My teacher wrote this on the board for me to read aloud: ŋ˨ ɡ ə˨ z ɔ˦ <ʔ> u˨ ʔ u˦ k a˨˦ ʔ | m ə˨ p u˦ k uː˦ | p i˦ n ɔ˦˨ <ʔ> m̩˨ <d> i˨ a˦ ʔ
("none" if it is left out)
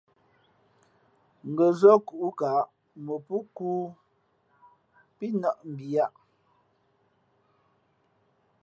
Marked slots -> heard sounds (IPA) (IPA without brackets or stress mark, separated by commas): k, ʔ, b